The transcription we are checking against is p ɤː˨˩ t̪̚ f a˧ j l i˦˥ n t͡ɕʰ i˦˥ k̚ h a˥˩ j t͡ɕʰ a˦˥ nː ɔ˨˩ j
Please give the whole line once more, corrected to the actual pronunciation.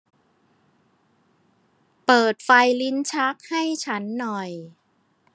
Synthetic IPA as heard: p ɤː˨˩ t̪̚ f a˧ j l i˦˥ n t͡ɕʰ a˦˥ k̚ h a˥˩ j t͡ɕʰ a˦˥ nː ɔ˨˩ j